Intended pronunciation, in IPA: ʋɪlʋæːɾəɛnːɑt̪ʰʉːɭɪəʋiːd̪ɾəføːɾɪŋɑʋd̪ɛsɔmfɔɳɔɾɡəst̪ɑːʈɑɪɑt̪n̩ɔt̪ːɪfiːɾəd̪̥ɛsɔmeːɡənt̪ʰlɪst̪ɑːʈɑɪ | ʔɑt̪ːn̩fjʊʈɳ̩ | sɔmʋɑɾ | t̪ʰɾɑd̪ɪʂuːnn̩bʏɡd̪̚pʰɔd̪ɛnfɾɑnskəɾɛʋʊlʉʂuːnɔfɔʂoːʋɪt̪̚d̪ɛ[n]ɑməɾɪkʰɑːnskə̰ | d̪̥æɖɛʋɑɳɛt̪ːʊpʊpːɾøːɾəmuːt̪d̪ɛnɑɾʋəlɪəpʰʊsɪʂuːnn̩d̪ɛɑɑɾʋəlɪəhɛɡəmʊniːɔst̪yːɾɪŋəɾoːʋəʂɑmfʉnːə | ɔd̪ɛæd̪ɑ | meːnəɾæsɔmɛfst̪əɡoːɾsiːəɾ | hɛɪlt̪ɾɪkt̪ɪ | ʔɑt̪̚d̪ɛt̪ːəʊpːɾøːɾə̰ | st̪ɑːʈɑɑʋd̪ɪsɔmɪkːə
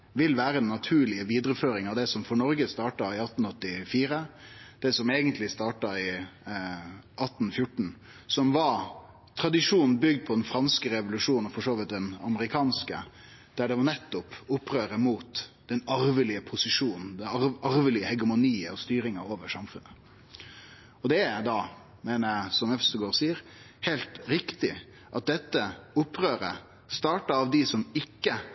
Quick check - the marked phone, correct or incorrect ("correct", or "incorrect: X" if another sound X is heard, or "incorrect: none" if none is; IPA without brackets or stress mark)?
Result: correct